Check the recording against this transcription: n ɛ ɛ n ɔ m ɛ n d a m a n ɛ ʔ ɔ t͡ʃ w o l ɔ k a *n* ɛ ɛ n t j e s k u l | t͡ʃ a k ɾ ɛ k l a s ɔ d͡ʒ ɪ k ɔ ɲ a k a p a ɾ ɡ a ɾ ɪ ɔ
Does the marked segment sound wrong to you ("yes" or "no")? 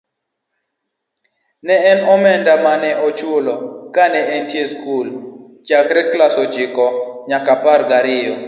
no